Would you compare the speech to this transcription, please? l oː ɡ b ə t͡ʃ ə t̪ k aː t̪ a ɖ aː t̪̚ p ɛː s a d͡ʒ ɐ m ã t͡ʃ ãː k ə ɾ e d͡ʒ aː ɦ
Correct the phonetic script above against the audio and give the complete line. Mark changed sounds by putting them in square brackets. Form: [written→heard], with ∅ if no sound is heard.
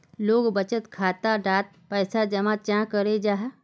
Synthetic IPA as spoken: l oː ɡ b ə t͡ʃ ə t̪ [k→kʰ] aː t̪ a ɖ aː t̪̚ p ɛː s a d͡ʒ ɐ m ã t͡ʃ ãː k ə ɾ e d͡ʒ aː ɦ